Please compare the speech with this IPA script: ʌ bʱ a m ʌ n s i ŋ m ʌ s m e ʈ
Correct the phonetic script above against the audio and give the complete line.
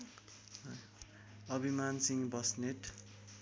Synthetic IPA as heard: ʌ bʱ i m a n s i ŋ b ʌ s n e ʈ